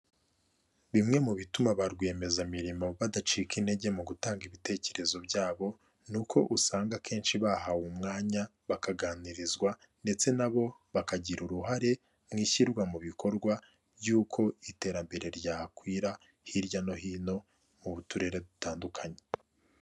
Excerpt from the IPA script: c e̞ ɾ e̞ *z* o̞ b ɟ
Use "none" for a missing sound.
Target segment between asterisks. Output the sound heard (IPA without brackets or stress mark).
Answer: z